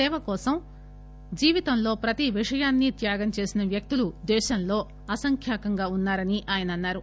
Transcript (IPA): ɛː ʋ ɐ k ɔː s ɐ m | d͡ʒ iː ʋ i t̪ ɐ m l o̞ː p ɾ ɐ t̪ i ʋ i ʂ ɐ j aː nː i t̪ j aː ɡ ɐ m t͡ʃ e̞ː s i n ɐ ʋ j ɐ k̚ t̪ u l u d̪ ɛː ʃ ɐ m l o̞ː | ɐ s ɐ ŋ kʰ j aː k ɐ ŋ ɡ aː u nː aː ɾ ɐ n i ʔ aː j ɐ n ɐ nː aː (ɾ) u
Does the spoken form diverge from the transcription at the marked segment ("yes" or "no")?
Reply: no